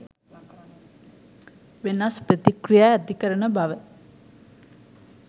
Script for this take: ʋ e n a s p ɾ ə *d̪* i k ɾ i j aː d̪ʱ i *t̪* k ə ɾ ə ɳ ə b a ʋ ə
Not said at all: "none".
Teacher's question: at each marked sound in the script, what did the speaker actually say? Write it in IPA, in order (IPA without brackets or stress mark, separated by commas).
t̪, none